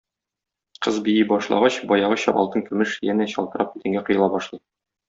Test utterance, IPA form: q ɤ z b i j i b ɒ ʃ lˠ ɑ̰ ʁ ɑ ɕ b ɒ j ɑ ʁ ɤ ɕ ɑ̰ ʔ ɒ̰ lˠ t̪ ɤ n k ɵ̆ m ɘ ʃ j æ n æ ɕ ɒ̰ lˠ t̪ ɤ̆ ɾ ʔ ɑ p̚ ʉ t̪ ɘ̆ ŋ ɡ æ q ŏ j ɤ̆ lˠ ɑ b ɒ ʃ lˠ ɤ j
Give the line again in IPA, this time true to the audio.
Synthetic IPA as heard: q ɤ z b i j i b ɒ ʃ lˠ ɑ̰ ʁ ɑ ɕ b ɒ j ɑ ʁ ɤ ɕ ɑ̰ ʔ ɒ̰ lˠ t̪ ɤ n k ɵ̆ m ɘ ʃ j æ n æ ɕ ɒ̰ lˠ t̪ ɤ̆ ɾ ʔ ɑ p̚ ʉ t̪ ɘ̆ ŋ ɡ æ q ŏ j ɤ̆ lˠ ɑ b ɒ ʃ lˠ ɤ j